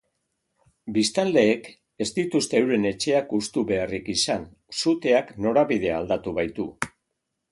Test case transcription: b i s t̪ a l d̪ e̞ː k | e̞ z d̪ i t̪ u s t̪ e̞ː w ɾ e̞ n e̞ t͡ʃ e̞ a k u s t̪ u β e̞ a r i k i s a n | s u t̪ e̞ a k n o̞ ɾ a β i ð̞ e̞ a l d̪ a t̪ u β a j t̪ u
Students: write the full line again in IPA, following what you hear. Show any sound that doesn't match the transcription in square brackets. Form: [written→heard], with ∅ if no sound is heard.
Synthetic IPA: b i s t̪ a l d̪ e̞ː k | e̞ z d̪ i t̪ u s t̪ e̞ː w ɾ e̞ n e̞ t͡ʃ e̞ a k u s t̪ u β e̞ a r i k i s a n | s u t̪ e̞ a k n o̞ ɾ a β i ð̞ e̞ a l d̪ a t̪ u β a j t̪ u

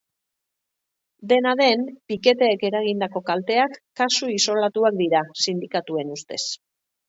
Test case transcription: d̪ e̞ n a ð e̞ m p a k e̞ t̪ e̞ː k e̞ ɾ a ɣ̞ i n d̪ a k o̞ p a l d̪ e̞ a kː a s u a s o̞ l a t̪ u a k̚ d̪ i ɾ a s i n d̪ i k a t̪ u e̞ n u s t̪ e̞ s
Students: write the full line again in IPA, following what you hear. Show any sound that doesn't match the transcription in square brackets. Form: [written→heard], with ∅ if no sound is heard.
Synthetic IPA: d̪ e̞ n a ð e̞ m p [a→i] k e̞ t̪ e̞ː k e̞ ɾ a ɣ̞ i n d̪ a k o̞ [p→k] a l [d̪→t̪] e̞ a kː a s u [a→i] s o̞ l a t̪ u a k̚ d̪ i ɾ a s i n d̪ i k a t̪ u e̞ n u s t̪ e̞ s

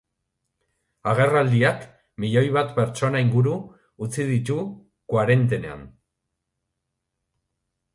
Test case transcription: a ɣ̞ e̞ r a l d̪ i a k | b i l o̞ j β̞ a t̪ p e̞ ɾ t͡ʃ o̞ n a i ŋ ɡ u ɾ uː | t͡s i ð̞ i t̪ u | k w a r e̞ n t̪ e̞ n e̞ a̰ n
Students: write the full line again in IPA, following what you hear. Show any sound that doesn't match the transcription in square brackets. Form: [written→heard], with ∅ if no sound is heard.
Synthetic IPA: a ɣ̞ e̞ r a l d̪ i a k | [b→m] i [l→ʎ] o̞ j β̞ a t̪ p e̞ ɾ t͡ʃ o̞ n a i ŋ ɡ u ɾ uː | t͡s i ð̞ i t̪ u | k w a [r→ɾ] e̞ n t̪ e̞ n e̞ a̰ n

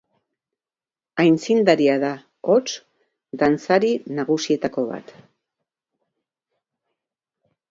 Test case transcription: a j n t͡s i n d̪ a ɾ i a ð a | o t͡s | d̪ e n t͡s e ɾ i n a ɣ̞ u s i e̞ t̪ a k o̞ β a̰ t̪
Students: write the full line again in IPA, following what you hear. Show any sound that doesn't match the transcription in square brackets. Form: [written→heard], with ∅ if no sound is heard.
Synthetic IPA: a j n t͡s i n d̪ a ɾ i a ð a | o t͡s | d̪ [e→a] n t͡s [e→a] ɾ i n a ɣ̞ u s i e̞ t̪ a k o̞ β a̰ t̪

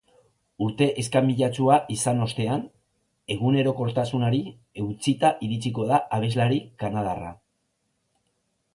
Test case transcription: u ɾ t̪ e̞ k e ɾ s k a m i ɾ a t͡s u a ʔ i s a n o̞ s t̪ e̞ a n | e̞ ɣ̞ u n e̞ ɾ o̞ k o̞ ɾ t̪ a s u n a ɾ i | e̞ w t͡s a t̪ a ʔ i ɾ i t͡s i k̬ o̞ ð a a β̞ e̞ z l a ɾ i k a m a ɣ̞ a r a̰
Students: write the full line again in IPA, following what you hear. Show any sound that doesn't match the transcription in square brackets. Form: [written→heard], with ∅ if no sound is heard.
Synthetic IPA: u ɾ t̪ e̞ [k→ʔ] e [ɾ→∅] s k a m i [ɾ→ʎ] a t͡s u a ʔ i s a n o̞ s t̪ e̞ a n | e̞ ɣ̞ u n e̞ ɾ o̞ k o̞ ɾ t̪ a s u n a ɾ i | e̞ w t͡s [a→i] t̪ a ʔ i ɾ i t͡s i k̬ o̞ ð a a β̞ e̞ z l a ɾ i k a [m→n] a [ɣ̞→ð̞] a r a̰

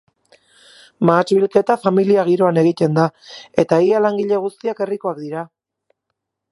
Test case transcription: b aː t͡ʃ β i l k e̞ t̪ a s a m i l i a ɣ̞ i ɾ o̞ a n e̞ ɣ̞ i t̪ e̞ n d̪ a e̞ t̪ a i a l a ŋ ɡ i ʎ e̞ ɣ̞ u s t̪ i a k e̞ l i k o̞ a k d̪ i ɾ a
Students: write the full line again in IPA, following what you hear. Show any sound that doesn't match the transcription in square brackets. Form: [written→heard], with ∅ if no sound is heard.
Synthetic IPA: [b→m] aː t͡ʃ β i l k e̞ t̪ a [s→f] a m i l i a ɣ̞ i ɾ o̞ a n e̞ ɣ̞ i t̪ e̞ n d̪ a e̞ t̪ a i a l a ŋ ɡ i ʎ e̞ ɣ̞ u s t̪ i a k e̞ [l→r] i k o̞ a k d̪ i ɾ a

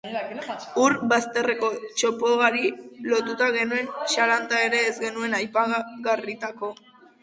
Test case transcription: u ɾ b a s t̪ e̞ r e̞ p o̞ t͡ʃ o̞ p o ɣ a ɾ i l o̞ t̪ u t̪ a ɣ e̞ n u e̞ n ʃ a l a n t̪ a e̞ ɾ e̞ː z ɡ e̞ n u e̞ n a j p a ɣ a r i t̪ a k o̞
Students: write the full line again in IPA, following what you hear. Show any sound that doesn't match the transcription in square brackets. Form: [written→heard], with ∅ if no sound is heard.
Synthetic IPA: u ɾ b a s t̪ e̞ r e̞ [p→k] o̞ t͡ʃ o̞ p o ɣ a ɾ i l o̞ t̪ u t̪ a ɣ e̞ n u e̞ n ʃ a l a n t̪ a e̞ ɾ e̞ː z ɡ e̞ n u e̞ n a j p a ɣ a r i t̪ a k o̞

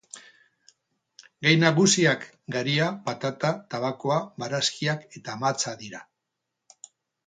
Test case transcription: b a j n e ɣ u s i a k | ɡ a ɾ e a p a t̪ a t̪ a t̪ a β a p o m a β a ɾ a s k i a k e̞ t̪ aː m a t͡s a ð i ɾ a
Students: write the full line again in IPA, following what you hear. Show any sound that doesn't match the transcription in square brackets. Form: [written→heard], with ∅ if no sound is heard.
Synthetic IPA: [b→ɡ] a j n [e→a] ɣ u s i a k | ɡ a ɾ [e→i] a p a t̪ a t̪ a t̪ a β a [p→k] o [m→∅] a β a ɾ a s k i a k e̞ t̪ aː m a t͡s a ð i ɾ a

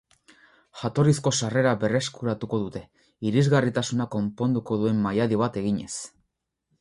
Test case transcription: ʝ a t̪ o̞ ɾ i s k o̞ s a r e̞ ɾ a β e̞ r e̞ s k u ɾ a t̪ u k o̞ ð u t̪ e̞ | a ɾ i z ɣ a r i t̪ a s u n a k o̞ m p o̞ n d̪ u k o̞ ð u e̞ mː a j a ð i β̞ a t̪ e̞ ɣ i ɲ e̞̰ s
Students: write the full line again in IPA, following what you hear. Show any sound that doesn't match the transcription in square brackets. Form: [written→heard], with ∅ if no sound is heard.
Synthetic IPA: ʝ a t̪ o̞ ɾ i s k o̞ s a r e̞ ɾ a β e̞ r e̞ s k u ɾ a t̪ u k o̞ ð u t̪ e̞ | [a→i] ɾ i z ɣ a r i t̪ a s u n a k o̞ m p o̞ n d̪ u k o̞ ð u e̞ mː a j a ð i β̞ a t̪ e̞ ɣ i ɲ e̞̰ s

